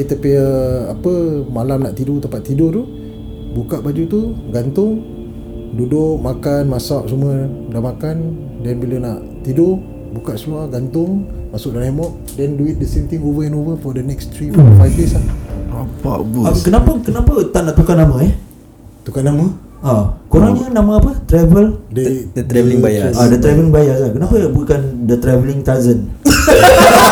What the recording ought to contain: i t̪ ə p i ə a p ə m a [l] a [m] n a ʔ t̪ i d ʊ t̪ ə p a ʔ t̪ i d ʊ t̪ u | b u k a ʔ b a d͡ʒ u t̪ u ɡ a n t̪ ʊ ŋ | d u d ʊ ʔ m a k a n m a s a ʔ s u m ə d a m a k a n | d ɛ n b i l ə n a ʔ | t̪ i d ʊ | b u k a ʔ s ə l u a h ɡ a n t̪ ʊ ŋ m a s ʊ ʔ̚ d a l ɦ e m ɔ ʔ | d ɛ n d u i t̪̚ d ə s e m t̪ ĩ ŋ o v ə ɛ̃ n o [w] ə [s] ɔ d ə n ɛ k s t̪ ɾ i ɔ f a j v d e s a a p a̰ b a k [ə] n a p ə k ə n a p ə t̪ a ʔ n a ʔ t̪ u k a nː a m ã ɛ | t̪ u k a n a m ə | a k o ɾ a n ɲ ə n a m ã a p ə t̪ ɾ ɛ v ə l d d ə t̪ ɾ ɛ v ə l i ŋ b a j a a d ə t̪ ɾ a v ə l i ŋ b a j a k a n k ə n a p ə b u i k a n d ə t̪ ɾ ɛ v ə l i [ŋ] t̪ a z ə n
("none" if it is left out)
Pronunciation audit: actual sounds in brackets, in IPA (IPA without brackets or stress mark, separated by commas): l, m, v, f, ə, ŋ